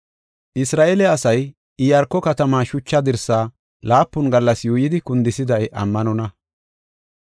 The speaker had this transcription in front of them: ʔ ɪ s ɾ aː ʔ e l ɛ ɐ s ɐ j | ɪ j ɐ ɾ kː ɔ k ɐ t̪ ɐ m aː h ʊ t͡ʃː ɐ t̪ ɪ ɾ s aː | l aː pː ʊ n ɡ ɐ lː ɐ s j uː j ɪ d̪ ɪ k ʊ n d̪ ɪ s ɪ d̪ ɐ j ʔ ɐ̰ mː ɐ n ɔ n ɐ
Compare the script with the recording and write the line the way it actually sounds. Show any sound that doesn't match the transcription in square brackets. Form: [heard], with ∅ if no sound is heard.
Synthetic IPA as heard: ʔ ɪ s ɾ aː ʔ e l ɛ ɐ s ɐ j | ɪ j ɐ ɾ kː ɔ k ɐ t̪ ɐ m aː [ʃ] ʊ t͡ʃː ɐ [d̪] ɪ ɾ s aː | l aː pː ʊ n ɡ ɐ lː ɐ s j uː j ɪ d̪ ɪ k ʊ n d̪ ɪ s ɪ d̪ ɐ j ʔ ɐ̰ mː ɐ n ɔ n ɐ